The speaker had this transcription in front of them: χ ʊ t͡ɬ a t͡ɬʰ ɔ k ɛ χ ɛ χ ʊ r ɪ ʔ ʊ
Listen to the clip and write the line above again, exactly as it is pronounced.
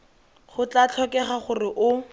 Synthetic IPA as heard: χ ʊ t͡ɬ a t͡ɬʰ ɔ k ɛ χ a χ ʊ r ɪ ʔ ʊ